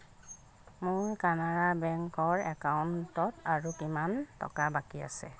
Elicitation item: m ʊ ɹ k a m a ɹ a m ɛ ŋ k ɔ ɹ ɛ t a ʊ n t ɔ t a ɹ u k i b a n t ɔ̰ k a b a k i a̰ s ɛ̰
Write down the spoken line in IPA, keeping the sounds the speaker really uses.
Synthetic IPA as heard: m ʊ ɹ k a n a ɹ a b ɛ ŋ k ɔ ɹ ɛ k a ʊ n t ɔ t a ɹ u k i m a n t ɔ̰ k a b a k i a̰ s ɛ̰